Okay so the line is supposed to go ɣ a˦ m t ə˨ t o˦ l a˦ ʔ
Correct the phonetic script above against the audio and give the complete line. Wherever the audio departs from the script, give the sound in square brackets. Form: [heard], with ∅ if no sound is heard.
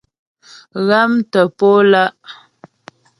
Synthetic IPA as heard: ɣ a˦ m t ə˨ [p] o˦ l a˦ ʔ